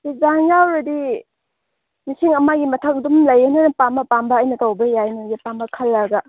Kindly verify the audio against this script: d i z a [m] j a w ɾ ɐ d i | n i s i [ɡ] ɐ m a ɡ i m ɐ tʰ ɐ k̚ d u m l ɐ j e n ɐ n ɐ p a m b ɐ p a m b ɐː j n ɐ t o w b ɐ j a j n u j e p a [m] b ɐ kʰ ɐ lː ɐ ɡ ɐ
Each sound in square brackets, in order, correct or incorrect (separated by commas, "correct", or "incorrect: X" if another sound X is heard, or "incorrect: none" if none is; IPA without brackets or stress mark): incorrect: ŋ, incorrect: ŋ, correct